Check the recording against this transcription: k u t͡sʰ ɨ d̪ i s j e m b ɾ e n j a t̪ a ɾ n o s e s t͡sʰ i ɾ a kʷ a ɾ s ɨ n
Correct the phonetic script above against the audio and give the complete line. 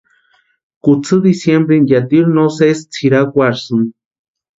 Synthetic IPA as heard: k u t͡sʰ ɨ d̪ i s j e m b ɾ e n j a t̪ i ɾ n o s e s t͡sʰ i ɾ a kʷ a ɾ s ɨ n